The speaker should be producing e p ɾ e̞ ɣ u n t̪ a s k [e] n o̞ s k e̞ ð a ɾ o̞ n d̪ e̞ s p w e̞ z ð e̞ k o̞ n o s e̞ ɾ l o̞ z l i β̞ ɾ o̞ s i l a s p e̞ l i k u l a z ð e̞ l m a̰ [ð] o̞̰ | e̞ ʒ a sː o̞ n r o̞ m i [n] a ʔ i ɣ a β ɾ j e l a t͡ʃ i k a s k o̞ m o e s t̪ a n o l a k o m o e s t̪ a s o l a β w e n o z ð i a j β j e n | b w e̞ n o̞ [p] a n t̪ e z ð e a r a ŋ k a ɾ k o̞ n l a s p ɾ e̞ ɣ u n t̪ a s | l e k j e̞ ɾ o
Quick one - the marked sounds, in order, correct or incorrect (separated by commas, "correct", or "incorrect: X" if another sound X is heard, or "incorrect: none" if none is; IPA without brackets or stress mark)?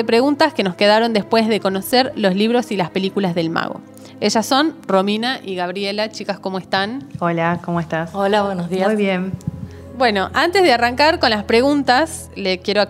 correct, incorrect: ɣ, correct, incorrect: ʔ